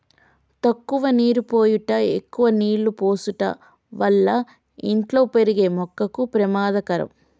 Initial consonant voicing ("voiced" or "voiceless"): voiceless